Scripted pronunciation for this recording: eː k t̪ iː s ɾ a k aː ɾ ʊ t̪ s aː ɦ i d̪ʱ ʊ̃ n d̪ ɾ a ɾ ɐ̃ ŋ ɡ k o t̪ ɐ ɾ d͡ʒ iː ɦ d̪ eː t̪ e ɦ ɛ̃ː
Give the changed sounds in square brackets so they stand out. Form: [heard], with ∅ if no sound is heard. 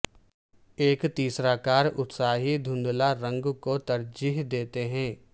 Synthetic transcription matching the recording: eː k t̪ iː s ɾ a k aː ɾ ʊ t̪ s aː ɦ i d̪ʱ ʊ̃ n d̪ [l] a ɾ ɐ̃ ŋ ɡ k o t̪ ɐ ɾ d͡ʒ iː ɦ d̪ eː t̪ e ɦ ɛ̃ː